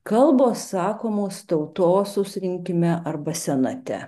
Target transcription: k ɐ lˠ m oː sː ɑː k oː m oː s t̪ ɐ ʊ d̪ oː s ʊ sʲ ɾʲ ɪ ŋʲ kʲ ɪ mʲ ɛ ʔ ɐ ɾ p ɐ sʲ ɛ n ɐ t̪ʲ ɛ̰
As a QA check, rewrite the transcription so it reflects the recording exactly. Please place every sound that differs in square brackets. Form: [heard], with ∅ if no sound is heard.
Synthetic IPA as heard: k ɐ lˠ [b] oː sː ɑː k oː m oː s t̪ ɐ ʊ [t̪] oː s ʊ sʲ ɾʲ ɪ ŋʲ kʲ ɪ mʲ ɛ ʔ ɐ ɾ [b] ɐ sʲ ɛ n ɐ t̪ʲ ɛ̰